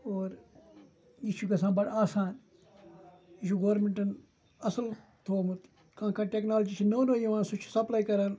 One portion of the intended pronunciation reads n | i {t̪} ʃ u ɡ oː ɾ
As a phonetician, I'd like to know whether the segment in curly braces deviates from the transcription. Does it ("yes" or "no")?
yes